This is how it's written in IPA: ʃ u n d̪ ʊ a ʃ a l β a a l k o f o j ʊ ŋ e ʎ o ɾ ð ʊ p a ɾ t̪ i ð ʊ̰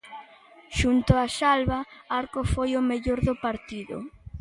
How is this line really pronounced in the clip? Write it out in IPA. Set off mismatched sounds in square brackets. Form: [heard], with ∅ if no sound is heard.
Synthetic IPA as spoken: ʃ u n [t̪] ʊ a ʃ a l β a a [ɾ] k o f o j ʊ [m] e ʎ o ɾ ð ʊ p a ɾ t̪ i ð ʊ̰